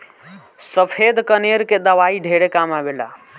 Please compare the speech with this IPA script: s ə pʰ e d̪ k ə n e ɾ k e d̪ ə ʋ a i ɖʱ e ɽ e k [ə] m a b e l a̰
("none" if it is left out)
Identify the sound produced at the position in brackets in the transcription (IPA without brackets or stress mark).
a